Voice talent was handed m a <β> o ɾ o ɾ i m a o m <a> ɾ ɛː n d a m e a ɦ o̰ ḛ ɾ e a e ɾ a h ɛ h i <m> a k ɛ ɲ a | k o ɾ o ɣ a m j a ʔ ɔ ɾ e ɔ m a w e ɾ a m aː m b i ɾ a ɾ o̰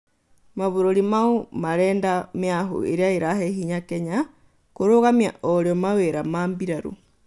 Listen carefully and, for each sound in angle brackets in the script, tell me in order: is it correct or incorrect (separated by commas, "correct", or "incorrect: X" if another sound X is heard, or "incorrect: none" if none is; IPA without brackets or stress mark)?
correct, correct, incorrect: ɲ